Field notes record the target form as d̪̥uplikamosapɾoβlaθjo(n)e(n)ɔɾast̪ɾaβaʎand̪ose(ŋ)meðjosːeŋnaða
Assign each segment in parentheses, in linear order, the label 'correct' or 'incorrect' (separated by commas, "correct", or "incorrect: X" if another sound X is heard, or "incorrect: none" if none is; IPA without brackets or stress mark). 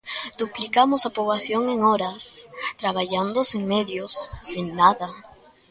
incorrect: ŋ, incorrect: ŋ, correct